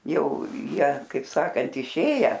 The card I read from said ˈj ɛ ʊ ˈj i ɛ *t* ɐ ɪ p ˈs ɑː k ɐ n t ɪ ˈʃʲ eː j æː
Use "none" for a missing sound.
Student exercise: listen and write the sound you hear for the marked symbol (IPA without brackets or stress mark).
k